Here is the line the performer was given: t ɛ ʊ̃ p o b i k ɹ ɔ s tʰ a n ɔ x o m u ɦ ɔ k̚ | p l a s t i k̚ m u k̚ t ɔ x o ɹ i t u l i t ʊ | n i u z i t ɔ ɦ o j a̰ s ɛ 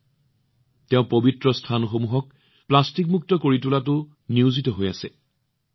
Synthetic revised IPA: t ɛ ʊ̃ p o b i t ɹ ɔ s tʰ a n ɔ x o m u ɦ ɔ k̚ | p l a s t i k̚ m u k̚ t ɔ k o ɹ i t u l a t ʊ | n i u z i t ɔ ɦ o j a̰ s ɛ